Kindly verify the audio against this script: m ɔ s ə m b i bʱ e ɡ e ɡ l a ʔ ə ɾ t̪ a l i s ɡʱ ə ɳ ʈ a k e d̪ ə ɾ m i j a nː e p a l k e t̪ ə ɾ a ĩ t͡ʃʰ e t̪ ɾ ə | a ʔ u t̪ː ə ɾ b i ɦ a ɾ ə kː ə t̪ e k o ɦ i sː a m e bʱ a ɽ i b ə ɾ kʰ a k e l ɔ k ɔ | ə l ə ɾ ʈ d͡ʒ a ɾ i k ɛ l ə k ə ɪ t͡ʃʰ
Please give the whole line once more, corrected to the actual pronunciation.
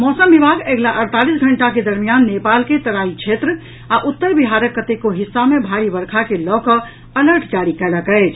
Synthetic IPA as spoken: m ɔ s ə m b i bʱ a ɡ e ɡ l a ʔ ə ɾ t̪ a l i s ɡʱ ə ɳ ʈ a k e d̪ ə ɾ m i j a nː e p a l k e t̪ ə ɾ a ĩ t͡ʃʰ e t̪ ɾ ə | a ʔ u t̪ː ə ɾ b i ɦ a ɾ ə kː ə t̪ e k o ɦ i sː a m e bʱ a ɾ i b ə ɾ kʰ a k e l ɔ k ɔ | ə l ə ɾ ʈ d͡ʒ a ɾ i k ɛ l ə k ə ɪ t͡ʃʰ